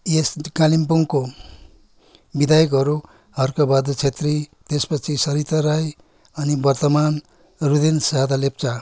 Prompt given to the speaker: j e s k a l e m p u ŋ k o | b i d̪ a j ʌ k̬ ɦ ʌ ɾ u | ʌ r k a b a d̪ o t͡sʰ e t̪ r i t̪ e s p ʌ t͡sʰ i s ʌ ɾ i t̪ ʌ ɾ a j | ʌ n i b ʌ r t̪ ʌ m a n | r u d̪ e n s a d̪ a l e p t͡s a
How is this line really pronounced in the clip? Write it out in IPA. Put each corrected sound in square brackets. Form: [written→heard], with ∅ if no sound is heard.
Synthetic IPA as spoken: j e s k a l [e→i] m p u ŋ k o | b i d̪ a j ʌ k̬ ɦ ʌ ɾ u | ʌ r k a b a d̪ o t͡sʰ e t̪ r i t̪ e s p ʌ t͡sʰ i s ʌ ɾ i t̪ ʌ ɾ a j | ʌ n i b ʌ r t̪ ʌ m a n | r u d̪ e n s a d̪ a l e p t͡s a